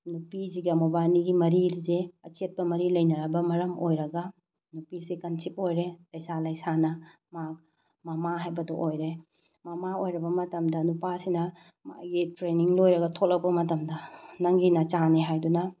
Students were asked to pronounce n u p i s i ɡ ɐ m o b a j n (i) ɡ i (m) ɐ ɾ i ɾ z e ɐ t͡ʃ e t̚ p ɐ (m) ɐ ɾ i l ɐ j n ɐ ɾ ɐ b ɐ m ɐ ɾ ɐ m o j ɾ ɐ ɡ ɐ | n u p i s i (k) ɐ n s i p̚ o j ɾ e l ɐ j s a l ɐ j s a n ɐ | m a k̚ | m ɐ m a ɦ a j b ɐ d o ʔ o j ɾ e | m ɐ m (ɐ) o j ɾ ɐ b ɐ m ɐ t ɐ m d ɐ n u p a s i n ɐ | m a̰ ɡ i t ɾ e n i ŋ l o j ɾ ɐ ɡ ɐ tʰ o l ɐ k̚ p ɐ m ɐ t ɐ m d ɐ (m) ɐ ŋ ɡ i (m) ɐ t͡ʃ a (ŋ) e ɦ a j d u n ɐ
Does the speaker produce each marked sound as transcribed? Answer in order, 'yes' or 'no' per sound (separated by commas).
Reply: yes, yes, yes, yes, no, no, no, no